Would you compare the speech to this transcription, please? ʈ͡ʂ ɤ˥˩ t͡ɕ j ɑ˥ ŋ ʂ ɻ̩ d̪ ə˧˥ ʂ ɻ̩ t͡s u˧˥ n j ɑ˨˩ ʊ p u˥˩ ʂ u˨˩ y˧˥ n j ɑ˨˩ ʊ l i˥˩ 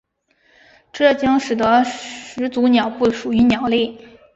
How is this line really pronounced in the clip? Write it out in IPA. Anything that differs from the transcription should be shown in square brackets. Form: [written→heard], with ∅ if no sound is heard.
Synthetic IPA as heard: ʈ͡ʂ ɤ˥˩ t͡ɕ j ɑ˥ ŋ ʂ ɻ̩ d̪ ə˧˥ ʂ ɻ̩ t͡s u˧˥ n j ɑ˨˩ ʊ p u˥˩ ʂ u˨˩ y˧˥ n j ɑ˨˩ ʊ l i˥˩